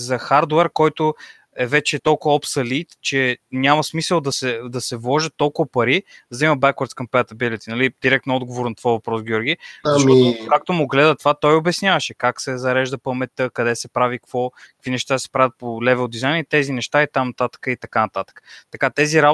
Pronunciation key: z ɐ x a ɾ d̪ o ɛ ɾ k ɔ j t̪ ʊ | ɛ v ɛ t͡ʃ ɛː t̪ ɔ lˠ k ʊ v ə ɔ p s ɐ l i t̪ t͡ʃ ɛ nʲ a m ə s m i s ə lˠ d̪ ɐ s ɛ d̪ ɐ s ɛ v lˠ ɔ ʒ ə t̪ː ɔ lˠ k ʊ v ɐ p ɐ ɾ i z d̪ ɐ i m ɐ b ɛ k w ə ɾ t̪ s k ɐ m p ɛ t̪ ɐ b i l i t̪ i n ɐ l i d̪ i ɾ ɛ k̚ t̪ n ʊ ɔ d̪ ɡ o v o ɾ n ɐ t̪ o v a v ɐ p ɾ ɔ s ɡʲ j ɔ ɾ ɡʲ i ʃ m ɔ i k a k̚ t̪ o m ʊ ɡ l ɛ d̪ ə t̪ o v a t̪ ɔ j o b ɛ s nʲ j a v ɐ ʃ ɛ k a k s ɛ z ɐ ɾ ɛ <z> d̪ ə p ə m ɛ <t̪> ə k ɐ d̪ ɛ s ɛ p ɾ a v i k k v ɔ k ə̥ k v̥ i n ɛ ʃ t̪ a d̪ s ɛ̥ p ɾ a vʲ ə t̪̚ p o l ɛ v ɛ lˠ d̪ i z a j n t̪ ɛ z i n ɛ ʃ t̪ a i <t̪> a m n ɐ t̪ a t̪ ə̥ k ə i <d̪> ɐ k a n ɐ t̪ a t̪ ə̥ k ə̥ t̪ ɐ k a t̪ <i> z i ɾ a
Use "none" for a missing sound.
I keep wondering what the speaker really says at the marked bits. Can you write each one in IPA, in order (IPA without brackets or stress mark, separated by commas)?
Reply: ʒ, t̪, t̪, t̪, ɛ